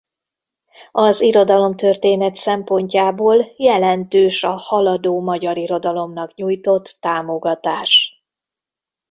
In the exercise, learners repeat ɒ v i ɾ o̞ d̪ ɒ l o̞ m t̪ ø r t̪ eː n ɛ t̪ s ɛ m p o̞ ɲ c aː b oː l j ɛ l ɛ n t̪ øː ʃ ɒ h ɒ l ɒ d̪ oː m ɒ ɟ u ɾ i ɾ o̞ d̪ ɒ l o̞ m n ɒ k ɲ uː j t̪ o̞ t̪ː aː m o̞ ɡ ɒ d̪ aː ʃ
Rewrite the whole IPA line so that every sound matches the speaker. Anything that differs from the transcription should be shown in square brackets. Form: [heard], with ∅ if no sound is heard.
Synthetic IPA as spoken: ɒ [z] i ɾ o̞ d̪ ɒ l o̞ m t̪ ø r t̪ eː n ɛ t̪ s ɛ m p o̞ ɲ c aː b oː l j ɛ l ɛ n t̪ øː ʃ ɒ h ɒ l ɒ d̪ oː m ɒ ɟ [ɒ] ɾ i ɾ o̞ d̪ ɒ l o̞ m n ɒ k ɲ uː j t̪ o̞ t̪ː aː m o̞ ɡ ɒ [t̪] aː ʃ